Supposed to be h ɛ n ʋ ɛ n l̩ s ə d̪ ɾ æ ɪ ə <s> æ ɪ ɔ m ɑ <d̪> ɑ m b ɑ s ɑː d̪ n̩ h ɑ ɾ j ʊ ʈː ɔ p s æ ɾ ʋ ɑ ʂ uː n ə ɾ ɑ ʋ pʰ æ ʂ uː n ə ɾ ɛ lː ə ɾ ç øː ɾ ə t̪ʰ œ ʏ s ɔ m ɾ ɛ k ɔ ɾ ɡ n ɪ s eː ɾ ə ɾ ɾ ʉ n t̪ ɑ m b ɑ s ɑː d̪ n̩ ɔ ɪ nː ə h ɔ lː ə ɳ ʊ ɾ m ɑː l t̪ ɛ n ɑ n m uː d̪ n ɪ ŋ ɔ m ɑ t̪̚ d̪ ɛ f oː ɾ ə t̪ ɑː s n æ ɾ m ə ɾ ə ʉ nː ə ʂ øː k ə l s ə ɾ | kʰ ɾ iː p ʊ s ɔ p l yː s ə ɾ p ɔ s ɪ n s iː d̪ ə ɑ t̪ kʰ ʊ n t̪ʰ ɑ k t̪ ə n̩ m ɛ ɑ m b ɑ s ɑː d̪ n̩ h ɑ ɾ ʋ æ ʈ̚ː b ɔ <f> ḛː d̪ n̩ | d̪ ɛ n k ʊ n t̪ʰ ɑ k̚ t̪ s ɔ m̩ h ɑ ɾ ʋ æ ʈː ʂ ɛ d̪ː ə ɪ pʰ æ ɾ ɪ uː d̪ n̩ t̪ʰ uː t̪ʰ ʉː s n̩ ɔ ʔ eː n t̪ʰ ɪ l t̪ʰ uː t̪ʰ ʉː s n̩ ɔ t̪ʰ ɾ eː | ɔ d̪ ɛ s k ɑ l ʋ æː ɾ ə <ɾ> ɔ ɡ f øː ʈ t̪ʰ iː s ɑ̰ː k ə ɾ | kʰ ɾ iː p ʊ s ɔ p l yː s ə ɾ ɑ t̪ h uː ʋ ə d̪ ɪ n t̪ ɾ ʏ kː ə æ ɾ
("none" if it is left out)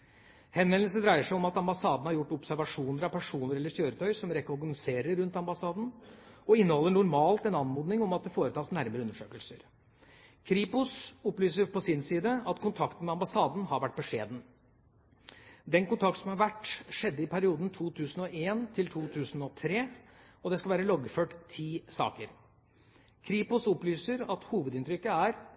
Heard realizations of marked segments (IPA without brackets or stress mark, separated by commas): ʂ, t̪, ʂ, l